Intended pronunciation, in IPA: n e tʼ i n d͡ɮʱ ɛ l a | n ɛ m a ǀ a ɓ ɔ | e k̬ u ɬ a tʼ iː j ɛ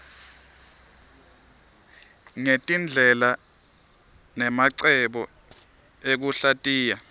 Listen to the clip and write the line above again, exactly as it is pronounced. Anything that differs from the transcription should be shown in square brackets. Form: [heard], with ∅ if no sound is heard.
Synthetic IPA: [ŋ] e tʼ i n d͡ɮʱ ɛ l a | n ɛ m a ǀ [ɛ] ɓ ɔ | e k̬ u ɬ a tʼ iː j [a]